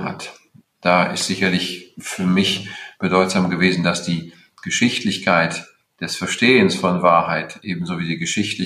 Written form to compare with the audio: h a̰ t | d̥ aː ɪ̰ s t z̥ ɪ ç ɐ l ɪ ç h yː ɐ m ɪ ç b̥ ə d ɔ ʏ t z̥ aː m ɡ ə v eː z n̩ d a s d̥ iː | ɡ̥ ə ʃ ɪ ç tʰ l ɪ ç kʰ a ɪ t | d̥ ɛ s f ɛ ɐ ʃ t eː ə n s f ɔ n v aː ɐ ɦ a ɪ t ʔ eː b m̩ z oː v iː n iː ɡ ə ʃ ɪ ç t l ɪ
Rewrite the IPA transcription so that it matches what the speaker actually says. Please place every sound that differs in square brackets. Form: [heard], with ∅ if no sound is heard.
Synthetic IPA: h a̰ t | d̥ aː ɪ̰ s t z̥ ɪ ç ɐ l ɪ ç [f] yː ɐ m ɪ ç b̥ ə d ɔ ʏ t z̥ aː m ɡ ə v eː z n̩ d a s d̥ iː | ɡ̥ ə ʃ ɪ ç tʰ l ɪ ç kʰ a ɪ t | d̥ ɛ s f ɛ ɐ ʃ t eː ə n s f ɔ n v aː ɐ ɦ a ɪ t ʔ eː b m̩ z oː v iː [d] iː ɡ ə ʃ ɪ ç t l ɪ